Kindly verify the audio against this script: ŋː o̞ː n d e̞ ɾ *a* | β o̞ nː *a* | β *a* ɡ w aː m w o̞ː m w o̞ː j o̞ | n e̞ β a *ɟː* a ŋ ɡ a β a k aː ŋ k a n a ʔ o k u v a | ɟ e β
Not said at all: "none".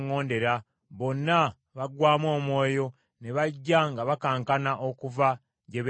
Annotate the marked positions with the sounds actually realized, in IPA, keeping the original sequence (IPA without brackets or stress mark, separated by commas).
a, a, a, ɟː